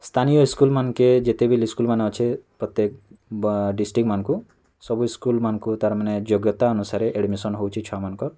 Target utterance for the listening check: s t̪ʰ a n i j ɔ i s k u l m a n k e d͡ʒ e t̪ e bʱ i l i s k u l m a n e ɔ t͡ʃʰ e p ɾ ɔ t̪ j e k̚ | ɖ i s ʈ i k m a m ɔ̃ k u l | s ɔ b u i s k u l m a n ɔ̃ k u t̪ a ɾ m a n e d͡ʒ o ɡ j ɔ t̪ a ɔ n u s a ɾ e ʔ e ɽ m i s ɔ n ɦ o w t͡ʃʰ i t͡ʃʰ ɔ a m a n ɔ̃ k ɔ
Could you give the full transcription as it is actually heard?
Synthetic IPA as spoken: s t̪ʰ a n i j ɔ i s k u l m a n k e d͡ʒ e t̪ e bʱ i l i s k u l m a n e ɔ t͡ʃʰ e p ɾ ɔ t̪ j e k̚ | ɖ i s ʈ i k m a n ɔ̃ k u | s ɔ b u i s k u l m a n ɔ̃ k u t̪ a ɾ m a n e d͡ʒ o ɡ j ɔ t̪ a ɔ n u s a ɾ e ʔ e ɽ m i s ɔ n ɦ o w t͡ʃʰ i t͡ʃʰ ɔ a m a n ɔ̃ k ɔ

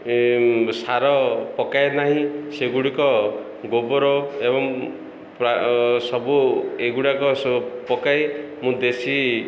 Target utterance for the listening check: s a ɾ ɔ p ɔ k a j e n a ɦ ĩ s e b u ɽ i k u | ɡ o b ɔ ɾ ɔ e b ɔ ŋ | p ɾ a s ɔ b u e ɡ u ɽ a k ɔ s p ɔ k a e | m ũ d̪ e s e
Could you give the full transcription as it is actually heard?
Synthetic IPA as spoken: s a ɾ ɔ p ɔ k a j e n a ɦ ĩ s e ɡ u ɽ i k ɔ | ɡ o b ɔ ɾ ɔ e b ɔ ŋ | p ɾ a s ɔ b u e ɡ u ɽ a k ɔ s p ɔ k a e | m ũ d̪ e s i

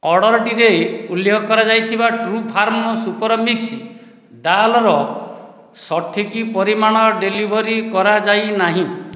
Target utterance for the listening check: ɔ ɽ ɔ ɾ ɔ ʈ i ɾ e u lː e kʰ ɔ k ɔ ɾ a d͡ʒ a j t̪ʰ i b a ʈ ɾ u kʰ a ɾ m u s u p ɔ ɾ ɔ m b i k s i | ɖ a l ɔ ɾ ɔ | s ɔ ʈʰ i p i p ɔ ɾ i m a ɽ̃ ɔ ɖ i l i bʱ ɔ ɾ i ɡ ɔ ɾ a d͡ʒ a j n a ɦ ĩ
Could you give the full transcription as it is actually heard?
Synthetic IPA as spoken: ɔ ɽ ɔ ɾ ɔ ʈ i ɾ e u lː e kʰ ɔ k ɔ ɾ a d͡ʒ a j t̪ʰ i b a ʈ ɾ u pʰ a ɾ m ɔ s u p ɔ ɾ ɔ m b i k s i | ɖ a l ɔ ɾ ɔ | s ɔ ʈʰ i k i p ɔ ɾ i m a ɽ̃ ɔ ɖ e l i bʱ ɔ ɾ i k ɔ ɾ a d͡ʒ a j n a ɦ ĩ

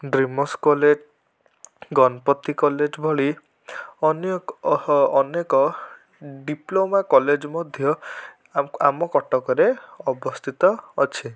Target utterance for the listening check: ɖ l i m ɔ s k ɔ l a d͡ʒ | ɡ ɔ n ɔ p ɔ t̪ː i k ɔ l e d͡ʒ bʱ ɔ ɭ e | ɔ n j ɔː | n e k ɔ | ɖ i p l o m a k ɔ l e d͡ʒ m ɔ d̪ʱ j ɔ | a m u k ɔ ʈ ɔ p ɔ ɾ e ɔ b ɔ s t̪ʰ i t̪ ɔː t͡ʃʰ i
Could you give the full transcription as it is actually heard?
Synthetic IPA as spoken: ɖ ɾ i m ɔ s k ɔ l e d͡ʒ | ɡ ɔ n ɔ p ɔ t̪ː i k ɔ l e d͡ʒ bʱ ɔ ɭ i | ɔ n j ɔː | n e k ɔ | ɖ i p l o m a k ɔ l e d͡ʒ m ɔ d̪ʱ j ɔ | a m ɔ k ɔ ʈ ɔ k ɔ ɾ e ɔ b ɔ s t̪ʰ i t̪ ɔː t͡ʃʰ i

